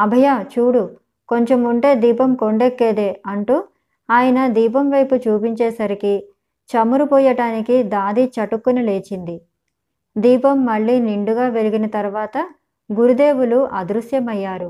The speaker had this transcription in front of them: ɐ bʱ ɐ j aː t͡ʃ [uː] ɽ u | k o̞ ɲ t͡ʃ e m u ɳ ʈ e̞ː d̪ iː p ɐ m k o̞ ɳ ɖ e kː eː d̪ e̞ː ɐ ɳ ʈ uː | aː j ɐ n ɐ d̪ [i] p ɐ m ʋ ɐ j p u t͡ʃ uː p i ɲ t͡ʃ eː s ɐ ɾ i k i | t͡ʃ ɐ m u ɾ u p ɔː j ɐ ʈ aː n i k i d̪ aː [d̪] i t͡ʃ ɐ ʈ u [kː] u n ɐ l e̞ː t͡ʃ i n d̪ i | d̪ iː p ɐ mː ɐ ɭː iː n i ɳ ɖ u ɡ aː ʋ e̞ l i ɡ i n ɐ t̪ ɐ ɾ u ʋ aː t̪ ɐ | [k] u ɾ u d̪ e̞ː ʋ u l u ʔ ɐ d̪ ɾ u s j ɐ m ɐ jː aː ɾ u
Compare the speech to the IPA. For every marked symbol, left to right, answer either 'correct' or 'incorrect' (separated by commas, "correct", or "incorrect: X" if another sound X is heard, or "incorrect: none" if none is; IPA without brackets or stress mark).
correct, incorrect: iː, correct, correct, incorrect: ɡ